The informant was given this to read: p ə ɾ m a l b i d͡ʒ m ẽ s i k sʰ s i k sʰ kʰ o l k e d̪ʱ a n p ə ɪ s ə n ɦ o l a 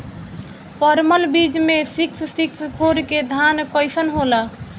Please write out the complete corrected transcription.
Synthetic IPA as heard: p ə ɾ m ə l b i d͡ʒ m e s i k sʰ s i k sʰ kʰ o ɾ k e d̪ʱ a n k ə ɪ s ə n ɦ o l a

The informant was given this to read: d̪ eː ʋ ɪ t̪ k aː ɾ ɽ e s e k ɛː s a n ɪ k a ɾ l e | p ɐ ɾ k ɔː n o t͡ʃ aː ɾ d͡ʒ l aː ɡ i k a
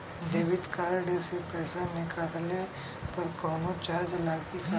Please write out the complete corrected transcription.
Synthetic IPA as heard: d̪ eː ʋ ɪ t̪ k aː ɾ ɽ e s e p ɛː s a n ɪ k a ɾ l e | p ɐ ɾ k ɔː n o t͡ʃ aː ɾ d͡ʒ l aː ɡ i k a

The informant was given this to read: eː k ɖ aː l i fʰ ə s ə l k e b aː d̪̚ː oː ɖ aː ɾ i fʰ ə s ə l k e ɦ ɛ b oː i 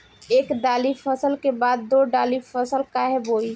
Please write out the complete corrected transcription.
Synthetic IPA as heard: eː k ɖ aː l i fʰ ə s ə l k e b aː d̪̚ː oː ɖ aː l i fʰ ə s ə l k a ɦ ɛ b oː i

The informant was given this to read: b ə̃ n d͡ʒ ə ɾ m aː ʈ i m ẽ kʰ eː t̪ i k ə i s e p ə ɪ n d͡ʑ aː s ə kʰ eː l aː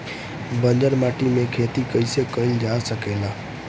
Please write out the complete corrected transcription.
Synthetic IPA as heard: b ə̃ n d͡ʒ ə ɾ m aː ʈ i m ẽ kʰ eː t̪ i k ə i s e k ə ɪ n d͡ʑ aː s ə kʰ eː l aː

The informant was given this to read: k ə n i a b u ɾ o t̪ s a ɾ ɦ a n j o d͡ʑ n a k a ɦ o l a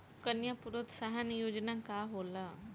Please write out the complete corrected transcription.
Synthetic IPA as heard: k ə n j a p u ɾ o t̪ s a ɦ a n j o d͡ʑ n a k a ɦ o l a

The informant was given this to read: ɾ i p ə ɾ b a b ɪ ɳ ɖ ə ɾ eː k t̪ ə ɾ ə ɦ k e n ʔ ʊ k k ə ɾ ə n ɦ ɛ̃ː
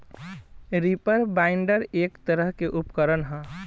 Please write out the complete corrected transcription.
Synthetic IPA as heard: ɾ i p ə ɾ b a ɪ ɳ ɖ ə ɾ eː k t̪ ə ɾ ə ɦ k e ʔ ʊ p k ə ɾ ə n ɦ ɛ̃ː

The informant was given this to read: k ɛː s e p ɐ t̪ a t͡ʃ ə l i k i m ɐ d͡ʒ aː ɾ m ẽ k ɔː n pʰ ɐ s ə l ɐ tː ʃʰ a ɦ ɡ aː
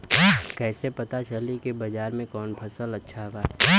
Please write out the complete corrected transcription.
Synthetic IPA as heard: k ɛː s e p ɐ t̪ a t͡ʃ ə l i k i b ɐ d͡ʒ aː ɾ m ẽ k ɔː n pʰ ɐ s ə l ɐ tː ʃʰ a ɦ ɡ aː

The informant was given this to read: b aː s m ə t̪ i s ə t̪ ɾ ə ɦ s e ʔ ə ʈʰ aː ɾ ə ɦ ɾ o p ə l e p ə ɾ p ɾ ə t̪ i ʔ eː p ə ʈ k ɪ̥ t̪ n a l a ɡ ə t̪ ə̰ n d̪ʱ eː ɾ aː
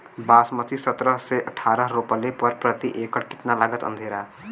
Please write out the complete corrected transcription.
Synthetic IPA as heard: b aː s m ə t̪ i s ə t̪ ɾ ə ɦ s e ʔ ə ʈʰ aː ɾ ə ɦ ɾ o p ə l e p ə ɾ p ɾ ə t̪ i ʔ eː k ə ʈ k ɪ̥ t̪ n a l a ɡ ə t̪ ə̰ n d̪ʱ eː ɾ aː

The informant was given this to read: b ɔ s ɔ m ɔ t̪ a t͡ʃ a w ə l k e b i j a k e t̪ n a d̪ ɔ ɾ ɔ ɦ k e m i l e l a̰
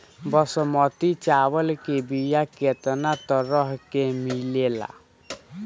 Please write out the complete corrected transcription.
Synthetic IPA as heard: b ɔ s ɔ m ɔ t̪ i t͡ʃ a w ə l k e b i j a k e t̪ n a t̪ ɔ ɾ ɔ ɦ k e m i l e l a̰

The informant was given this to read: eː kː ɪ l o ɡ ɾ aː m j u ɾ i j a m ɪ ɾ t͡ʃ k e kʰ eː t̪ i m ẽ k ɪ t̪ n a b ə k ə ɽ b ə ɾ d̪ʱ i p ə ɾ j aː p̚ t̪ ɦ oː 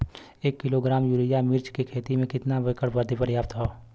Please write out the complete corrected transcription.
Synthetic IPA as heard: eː kː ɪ l o ɡ ɾ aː m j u ɾ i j a m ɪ ɾ t͡ʃ k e kʰ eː t̪ i m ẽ k ɪ t̪ n a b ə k ə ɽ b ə ɾ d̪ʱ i p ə ɾ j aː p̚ t̪ ɦ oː

